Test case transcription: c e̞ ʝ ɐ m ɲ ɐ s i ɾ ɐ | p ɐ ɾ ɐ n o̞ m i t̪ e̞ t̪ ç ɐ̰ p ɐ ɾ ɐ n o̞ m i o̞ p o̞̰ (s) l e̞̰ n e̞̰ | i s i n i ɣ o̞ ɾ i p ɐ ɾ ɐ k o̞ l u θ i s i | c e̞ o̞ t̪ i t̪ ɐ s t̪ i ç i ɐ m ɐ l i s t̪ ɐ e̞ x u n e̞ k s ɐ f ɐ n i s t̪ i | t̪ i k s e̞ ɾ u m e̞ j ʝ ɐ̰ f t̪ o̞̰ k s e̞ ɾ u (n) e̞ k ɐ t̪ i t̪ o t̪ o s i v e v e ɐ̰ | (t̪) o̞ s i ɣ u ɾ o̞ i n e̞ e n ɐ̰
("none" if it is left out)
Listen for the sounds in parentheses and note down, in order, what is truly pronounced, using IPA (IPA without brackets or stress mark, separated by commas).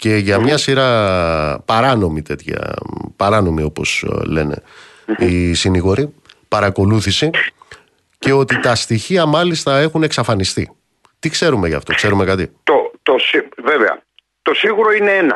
s, m, t̪